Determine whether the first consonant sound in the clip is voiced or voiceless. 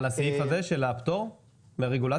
voiced